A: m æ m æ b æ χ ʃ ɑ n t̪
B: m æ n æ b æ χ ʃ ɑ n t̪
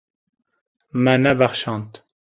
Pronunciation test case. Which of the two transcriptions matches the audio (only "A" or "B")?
B